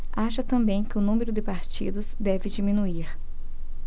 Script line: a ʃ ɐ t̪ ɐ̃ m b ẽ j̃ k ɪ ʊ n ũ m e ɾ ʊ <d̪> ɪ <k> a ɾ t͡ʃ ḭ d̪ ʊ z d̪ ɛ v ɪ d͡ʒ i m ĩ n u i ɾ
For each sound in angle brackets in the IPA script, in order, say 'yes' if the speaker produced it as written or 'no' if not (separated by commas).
yes, no